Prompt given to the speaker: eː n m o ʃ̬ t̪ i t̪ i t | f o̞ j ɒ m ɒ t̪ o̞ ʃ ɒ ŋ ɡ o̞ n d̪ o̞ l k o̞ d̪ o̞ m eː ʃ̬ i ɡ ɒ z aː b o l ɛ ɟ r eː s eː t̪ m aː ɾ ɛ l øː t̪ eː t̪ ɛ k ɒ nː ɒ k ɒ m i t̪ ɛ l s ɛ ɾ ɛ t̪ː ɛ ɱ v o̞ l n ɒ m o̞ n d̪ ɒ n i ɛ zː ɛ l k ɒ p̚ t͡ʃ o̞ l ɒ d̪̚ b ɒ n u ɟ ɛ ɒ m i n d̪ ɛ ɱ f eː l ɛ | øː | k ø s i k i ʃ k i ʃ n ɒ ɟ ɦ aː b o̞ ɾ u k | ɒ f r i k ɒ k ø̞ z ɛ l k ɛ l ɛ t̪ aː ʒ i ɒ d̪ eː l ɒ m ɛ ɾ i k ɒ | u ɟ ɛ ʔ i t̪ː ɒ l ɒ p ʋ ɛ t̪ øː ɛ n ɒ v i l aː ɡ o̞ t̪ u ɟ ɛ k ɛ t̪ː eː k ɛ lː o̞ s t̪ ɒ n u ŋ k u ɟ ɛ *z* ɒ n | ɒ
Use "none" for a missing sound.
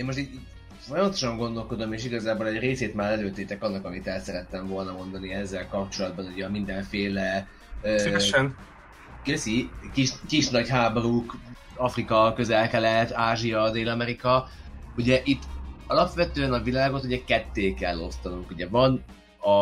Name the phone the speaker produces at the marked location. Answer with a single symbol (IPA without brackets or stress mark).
v